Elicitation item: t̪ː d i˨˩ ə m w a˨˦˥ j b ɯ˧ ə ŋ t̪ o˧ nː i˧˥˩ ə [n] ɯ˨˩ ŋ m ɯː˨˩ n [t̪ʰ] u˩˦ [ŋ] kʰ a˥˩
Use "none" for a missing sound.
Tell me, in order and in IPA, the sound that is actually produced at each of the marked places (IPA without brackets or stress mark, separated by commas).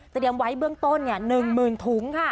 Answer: n, t̪ʰ, ŋ